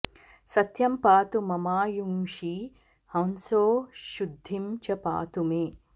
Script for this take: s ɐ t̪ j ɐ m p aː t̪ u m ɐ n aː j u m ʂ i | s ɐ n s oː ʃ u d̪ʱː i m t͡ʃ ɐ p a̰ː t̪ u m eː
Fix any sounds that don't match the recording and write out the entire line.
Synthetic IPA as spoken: s ɐ t̪ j ɐ m p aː t̪ u m ɐ m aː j u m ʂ i | h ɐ n s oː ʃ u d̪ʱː i m t͡ʃ ɐ p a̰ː t̪ u m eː